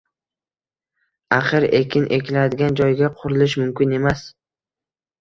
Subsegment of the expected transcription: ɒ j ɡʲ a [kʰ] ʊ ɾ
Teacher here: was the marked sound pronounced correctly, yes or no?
no